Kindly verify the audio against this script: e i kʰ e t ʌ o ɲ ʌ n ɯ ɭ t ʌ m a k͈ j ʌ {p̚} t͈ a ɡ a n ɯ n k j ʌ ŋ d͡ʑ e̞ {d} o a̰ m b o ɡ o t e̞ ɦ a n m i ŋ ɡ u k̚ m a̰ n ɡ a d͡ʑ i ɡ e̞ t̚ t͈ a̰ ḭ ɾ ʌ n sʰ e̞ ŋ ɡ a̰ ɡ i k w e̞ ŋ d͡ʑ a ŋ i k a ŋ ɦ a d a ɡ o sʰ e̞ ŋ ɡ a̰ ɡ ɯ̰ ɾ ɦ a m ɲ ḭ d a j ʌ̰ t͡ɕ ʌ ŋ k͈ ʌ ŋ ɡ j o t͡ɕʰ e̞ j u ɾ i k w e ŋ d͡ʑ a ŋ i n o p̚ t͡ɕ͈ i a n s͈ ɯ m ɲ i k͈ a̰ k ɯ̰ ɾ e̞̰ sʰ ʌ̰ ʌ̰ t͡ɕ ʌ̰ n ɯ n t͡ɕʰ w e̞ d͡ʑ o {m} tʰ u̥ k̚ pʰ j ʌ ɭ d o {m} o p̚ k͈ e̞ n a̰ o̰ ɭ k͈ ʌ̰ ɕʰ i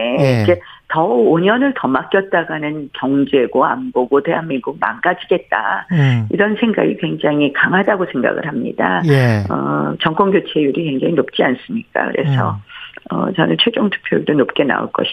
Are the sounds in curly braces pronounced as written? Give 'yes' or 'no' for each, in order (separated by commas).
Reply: no, no, no, no